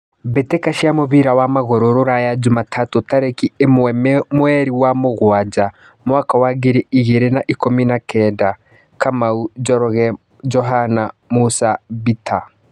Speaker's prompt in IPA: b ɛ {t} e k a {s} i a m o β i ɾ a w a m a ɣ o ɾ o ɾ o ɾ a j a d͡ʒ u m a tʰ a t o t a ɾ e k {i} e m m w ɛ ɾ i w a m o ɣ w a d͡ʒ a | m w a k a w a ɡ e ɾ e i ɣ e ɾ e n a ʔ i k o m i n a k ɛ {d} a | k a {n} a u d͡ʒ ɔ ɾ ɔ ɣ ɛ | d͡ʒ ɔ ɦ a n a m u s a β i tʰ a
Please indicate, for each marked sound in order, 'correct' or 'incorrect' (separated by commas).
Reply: correct, incorrect, correct, correct, incorrect